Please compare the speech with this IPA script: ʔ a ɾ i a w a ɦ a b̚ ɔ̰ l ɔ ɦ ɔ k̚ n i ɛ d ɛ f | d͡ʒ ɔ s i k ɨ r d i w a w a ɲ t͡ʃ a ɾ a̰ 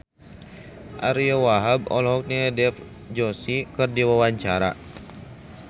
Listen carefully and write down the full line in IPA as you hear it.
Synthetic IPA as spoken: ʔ a ɾ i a w a ɦ a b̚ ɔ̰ l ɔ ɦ ɔ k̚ n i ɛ d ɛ f | d͡ʒ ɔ s i k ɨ r d i w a w a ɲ t͡ʃ a ɾ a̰